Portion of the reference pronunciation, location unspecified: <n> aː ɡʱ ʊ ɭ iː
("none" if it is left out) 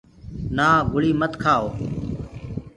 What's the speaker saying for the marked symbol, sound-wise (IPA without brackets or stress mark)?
n